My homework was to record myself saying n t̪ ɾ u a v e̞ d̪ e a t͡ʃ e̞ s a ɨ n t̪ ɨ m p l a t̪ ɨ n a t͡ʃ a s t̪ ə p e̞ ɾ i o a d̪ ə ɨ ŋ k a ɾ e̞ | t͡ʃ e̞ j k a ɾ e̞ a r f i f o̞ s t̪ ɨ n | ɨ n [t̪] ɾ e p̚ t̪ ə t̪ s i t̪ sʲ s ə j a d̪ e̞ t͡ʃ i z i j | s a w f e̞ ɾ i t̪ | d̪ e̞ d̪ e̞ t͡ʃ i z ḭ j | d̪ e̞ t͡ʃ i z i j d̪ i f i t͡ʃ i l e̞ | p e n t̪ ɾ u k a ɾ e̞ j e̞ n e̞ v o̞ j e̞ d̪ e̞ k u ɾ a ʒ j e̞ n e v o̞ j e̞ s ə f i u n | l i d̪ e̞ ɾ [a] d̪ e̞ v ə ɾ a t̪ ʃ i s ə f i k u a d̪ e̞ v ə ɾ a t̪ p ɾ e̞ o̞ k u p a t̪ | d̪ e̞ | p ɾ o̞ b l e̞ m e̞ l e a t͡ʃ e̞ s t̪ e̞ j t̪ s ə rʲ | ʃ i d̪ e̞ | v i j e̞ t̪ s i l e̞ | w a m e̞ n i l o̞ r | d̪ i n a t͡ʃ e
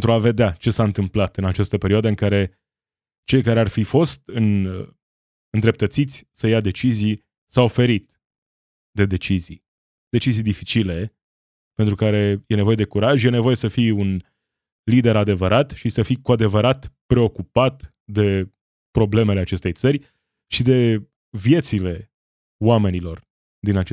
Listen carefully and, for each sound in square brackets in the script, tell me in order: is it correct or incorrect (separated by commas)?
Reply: incorrect, correct